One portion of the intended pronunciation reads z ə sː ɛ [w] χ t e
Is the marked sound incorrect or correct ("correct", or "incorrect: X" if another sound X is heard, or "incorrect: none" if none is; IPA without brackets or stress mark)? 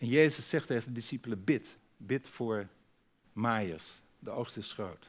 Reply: incorrect: none